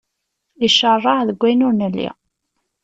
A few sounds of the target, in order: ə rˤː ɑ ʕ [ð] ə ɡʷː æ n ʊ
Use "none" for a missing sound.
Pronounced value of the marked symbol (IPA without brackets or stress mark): ð